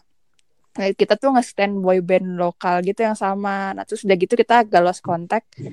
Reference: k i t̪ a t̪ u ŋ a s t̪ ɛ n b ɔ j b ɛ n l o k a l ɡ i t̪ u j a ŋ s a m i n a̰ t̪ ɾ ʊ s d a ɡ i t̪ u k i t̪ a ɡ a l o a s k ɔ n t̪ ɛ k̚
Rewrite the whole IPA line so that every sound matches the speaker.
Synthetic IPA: k i t̪ a t̪ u ŋ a s t̪ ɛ n b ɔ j b ɛ n l o k a l ɡ i t̪ u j a ŋ s a m a n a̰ t̪ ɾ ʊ s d a ɡ i t̪ u k i t̪ a ɡ a l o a s k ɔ n t̪ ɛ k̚